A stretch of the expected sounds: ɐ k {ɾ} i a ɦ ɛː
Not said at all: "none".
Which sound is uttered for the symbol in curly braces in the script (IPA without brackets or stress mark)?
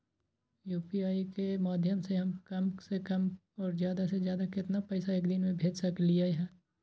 l